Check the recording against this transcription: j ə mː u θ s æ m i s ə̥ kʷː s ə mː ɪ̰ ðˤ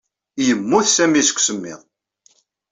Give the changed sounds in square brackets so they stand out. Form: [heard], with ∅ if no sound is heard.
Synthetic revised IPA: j ə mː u θ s æ m i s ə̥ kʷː s ə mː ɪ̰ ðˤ